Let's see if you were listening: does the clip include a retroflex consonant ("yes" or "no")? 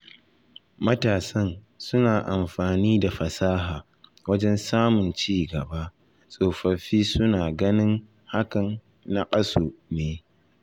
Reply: no